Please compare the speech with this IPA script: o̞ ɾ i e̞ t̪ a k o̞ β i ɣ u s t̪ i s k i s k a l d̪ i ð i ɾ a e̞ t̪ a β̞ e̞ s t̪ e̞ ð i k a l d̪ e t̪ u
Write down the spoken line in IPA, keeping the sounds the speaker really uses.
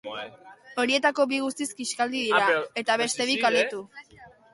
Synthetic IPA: o̞ ɾ i e̞ t̪ a k o̞ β i ɣ u s t̪ i s k i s k a l d̪ i ð i ɾ a e̞ t̪ a β̞ e̞ s t̪ e̞ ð i k a l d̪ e t̪ u